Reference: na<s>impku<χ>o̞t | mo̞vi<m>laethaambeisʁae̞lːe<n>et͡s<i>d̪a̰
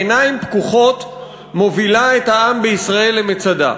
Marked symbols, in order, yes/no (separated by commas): no, yes, no, no, no